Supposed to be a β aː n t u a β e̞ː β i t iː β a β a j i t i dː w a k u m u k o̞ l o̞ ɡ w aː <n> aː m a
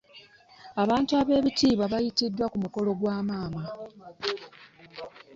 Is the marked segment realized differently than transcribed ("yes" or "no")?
yes